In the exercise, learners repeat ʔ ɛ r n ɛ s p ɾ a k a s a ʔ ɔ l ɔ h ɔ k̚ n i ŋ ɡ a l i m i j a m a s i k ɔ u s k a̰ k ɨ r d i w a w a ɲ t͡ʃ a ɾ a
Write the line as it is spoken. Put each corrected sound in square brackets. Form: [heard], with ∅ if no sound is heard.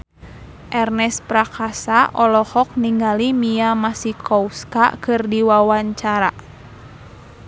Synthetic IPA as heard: ʔ ɛ r n ɛ s p ɾ a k a s a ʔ ɔ l ɔ h ɔ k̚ n i ŋ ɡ a l i m i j a m a s i k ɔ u s k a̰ k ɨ r d i w a w a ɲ t͡ʃ a ɾ a

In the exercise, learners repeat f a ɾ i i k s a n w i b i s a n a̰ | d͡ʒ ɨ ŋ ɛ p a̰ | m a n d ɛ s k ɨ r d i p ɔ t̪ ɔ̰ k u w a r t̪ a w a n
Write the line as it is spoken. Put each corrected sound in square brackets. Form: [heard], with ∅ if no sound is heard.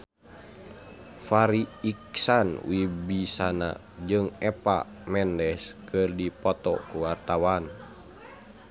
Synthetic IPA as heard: f a ɾ i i k s a n w i b i s a n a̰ | d͡ʒ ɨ ŋ ɛ p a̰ | m [ɛ] n d ɛ s k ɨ r d i p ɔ t̪ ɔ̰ k u w a r t̪ a w a n

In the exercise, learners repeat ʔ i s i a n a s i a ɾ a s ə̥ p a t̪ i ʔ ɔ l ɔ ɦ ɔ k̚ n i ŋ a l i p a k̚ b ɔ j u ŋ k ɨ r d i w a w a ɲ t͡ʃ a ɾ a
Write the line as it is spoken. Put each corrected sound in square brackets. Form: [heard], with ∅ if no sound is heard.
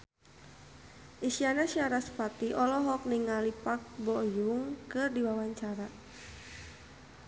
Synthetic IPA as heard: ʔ i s i a n a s i a ɾ a s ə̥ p a t̪ i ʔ ɔ l ɔ ɦ ɔ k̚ n i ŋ a l i p a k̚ b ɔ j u ŋ k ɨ r d i w a w a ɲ t͡ʃ a ɾ a

